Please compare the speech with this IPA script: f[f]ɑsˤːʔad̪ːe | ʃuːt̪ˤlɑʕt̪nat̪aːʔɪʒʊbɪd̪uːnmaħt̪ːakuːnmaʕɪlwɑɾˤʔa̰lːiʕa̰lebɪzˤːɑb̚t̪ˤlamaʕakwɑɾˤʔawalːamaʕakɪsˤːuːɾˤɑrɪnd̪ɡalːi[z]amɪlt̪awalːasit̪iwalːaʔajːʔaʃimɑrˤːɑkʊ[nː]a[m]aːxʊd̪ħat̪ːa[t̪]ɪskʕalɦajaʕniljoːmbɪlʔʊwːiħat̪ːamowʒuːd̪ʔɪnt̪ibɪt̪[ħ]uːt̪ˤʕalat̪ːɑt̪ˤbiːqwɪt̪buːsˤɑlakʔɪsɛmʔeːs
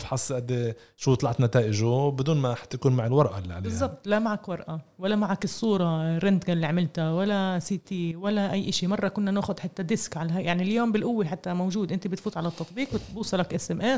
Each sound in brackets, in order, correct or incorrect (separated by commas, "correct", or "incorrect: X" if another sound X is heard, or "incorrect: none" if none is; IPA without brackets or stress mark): incorrect: ħ, incorrect: ʕ, correct, incorrect: n, incorrect: d̪, incorrect: f